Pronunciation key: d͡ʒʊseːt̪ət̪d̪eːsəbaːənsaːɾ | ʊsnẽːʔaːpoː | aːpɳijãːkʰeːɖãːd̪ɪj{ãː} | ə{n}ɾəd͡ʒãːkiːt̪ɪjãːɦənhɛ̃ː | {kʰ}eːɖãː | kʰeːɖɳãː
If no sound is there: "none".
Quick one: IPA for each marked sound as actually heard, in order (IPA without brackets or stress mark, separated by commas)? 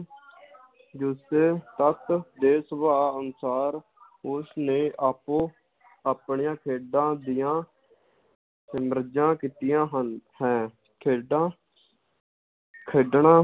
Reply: ãː, m, kʰ